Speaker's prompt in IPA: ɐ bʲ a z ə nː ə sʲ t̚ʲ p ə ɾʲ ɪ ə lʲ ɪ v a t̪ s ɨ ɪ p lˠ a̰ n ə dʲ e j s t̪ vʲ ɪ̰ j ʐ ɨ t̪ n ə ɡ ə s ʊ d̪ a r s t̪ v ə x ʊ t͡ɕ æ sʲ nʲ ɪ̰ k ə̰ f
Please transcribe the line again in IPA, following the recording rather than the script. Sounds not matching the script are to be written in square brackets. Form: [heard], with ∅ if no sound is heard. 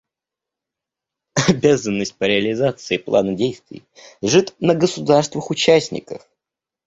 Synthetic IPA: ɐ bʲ a z ə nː ə sʲ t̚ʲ p ə ɾʲ ɪ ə lʲ ɪ [z] a t̪ s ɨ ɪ p lˠ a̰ n ə dʲ e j s t̪ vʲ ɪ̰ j ʐ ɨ t̪ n ə ɡ ə s ʊ d̪ a r s t̪ v ə x ʊ t͡ɕ æ sʲ nʲ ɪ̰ k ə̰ f